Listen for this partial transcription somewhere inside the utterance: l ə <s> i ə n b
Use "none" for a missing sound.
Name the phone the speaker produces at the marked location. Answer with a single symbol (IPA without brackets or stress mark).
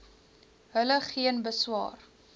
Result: χ